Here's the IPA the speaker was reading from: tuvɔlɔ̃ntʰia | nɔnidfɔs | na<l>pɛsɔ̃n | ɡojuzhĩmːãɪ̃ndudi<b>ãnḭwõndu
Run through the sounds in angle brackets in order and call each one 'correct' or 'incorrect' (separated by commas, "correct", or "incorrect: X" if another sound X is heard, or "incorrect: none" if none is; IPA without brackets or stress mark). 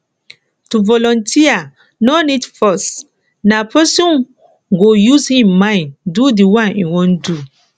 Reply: incorrect: none, incorrect: w